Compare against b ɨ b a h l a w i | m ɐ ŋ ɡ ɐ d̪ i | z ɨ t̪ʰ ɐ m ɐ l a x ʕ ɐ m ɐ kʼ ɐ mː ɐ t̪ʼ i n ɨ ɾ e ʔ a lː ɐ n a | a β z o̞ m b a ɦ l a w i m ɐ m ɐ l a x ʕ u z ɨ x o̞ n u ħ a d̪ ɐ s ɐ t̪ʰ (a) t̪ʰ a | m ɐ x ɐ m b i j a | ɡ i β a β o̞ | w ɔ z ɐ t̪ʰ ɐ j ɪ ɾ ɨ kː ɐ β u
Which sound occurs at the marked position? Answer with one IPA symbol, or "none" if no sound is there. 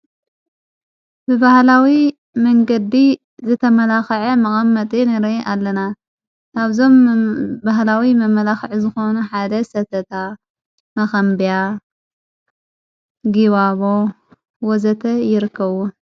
ɐ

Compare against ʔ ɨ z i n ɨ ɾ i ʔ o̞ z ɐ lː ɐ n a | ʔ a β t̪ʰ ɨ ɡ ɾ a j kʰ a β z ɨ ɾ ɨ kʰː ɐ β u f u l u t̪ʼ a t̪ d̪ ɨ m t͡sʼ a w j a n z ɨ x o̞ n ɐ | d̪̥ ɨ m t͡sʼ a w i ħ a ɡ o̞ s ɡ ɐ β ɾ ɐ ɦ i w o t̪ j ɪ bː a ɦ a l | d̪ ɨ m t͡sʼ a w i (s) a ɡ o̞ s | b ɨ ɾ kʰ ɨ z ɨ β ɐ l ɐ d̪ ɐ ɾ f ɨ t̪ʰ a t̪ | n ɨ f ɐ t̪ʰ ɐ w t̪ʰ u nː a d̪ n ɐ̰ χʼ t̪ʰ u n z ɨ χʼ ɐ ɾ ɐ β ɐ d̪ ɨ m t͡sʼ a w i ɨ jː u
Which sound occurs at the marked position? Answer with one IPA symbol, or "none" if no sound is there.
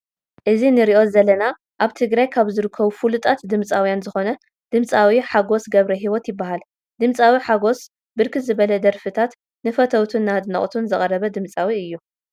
ħ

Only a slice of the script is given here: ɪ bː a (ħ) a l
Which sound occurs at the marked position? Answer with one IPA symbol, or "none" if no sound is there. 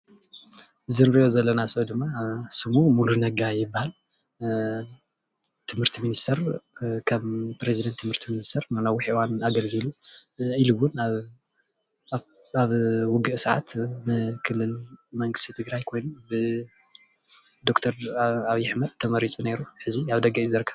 h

